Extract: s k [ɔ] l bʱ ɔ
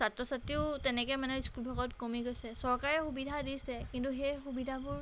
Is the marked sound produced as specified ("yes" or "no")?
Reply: no